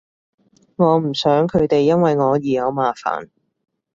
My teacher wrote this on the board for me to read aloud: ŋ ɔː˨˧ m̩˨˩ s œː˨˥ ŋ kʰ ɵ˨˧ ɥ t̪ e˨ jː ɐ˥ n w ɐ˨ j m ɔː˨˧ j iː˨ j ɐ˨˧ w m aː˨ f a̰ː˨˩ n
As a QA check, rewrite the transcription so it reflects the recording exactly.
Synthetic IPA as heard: ŋ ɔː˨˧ m̩˨˩ s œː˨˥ ŋ kʰ ɵ˨˧ ɥ t̪ e˨ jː ɐ˥ n w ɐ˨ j ŋ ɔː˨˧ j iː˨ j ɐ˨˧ w m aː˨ f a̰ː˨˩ n